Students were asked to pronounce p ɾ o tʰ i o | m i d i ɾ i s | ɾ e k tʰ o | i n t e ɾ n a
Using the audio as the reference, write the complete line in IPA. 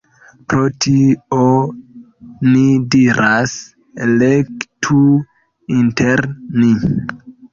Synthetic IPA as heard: p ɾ o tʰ i o | n i d i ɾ a s | l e k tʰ u | i n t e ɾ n i